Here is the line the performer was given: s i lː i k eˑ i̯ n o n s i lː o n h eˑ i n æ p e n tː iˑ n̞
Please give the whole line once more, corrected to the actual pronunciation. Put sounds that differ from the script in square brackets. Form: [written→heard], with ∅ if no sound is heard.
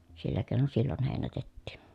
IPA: s i lː [i→æ] k eˑ i̯ n o n s i lː o n h eˑ i n æ [p→t] e [n→∅] tː iˑ n̞